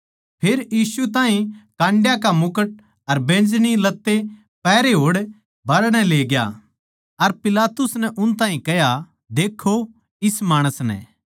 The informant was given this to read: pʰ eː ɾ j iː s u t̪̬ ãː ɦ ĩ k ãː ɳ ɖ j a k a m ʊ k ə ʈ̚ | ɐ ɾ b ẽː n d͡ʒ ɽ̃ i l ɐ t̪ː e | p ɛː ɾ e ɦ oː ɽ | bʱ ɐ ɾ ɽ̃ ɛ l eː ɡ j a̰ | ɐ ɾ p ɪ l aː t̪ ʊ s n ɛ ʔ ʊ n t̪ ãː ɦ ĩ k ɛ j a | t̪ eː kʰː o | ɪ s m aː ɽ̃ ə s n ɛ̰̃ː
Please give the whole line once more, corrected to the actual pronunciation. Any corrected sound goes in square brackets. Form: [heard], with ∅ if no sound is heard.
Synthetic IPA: pʰ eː ɾ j iː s u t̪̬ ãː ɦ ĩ k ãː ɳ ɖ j a k a m ʊ k ə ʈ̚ | ɐ ɾ b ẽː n d͡ʒ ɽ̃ i l ɐ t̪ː e | p ɛː ɾ e ɦ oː ɽ | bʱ ɐ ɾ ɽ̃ ɛ l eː ɡ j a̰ | ɐ ɾ p ɪ l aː t̪ ʊ s n ɛ ʔ ʊ n t̪ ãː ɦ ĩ k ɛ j a | [d̪] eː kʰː o | ɪ s m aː ɽ̃ ə s n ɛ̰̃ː